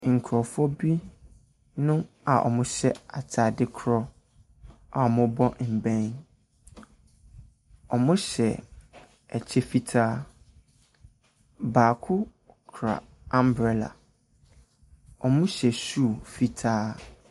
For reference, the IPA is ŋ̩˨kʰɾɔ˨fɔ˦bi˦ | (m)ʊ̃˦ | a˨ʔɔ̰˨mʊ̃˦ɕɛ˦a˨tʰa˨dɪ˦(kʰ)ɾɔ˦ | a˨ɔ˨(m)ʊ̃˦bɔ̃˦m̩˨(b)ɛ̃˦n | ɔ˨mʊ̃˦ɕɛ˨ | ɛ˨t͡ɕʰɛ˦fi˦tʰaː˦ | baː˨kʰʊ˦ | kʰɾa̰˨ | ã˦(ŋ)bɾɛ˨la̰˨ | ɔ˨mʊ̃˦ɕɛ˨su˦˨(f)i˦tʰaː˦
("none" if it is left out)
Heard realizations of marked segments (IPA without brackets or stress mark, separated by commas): n, kʰ, m, b, m, f